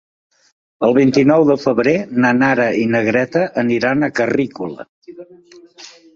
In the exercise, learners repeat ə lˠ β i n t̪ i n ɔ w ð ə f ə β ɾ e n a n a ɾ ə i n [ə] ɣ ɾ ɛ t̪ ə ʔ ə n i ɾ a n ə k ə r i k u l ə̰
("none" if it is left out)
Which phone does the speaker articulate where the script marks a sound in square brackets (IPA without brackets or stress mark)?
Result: ə